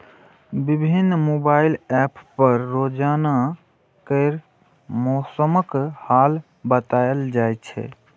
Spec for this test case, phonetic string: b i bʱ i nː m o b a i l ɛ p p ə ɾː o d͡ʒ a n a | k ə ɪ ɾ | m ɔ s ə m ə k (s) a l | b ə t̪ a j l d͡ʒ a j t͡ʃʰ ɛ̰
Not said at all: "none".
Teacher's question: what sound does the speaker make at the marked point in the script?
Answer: h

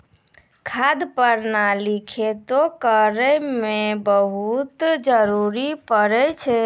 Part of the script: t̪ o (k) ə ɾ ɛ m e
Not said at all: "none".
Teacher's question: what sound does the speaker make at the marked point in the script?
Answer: k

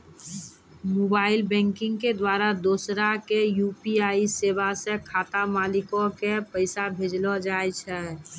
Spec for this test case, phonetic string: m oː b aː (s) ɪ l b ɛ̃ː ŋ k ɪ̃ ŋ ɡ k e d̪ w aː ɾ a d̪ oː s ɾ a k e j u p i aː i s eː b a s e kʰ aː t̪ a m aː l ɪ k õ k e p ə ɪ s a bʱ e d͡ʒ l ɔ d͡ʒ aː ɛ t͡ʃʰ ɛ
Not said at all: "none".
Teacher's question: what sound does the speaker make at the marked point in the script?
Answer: none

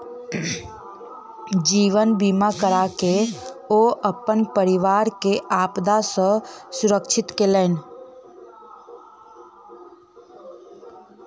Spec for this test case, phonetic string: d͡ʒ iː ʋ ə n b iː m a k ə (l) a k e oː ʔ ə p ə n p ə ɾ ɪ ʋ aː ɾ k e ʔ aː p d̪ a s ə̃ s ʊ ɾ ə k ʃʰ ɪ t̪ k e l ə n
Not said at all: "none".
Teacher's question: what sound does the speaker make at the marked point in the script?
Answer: ɾ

